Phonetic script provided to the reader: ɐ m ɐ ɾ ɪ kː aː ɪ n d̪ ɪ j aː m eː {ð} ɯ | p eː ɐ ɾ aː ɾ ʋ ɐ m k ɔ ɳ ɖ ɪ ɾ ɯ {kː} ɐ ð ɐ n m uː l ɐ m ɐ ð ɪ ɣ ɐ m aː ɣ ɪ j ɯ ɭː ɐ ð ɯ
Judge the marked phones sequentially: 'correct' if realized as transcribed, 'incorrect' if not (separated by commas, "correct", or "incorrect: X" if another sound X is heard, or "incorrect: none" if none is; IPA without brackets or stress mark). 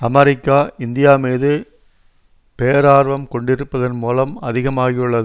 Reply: correct, incorrect: pː